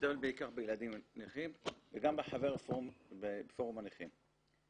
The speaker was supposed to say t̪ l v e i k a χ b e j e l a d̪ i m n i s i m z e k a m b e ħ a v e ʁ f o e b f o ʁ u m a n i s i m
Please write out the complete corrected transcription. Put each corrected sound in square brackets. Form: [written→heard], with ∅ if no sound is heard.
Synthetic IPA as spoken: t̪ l [v→b] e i k a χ b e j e l a d̪ i m n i [s→χ] i m [z→v] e [k→ɡ] a m b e ħ a v e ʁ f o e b f o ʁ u m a n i [s→χ] i m